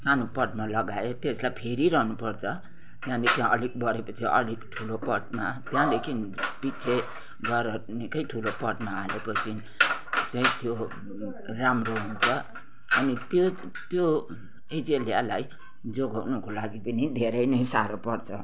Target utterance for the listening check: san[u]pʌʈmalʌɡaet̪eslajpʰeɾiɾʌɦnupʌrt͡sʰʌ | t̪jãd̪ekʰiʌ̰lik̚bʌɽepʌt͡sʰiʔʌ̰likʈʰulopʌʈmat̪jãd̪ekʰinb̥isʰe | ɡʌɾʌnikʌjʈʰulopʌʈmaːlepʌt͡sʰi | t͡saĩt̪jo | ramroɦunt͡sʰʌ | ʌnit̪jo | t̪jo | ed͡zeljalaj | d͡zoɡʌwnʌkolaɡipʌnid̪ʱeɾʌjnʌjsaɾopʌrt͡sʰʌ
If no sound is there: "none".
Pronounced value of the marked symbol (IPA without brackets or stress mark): o